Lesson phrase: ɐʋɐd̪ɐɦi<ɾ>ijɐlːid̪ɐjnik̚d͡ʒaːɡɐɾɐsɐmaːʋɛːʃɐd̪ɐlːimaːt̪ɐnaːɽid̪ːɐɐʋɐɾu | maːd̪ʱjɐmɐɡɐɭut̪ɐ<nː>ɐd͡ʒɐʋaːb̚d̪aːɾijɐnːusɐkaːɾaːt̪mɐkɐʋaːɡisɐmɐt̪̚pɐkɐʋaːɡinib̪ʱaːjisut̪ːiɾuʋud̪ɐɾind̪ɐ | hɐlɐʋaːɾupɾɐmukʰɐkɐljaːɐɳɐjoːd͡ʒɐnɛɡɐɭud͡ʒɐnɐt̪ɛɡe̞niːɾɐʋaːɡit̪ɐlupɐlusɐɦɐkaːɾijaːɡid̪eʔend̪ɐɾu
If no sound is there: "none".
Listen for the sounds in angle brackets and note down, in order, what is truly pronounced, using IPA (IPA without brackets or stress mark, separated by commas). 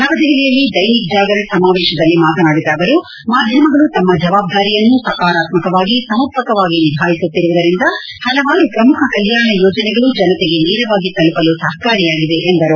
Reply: l, mː